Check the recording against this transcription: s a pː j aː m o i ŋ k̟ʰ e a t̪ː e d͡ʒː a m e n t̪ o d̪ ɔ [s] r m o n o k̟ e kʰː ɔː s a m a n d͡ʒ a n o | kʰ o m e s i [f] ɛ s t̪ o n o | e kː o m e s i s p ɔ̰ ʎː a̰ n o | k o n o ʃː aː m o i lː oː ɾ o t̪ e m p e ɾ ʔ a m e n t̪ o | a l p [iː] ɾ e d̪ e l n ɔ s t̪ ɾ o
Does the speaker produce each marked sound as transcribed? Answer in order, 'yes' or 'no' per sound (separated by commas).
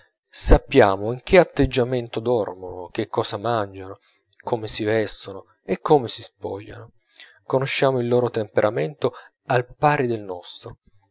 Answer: no, no, no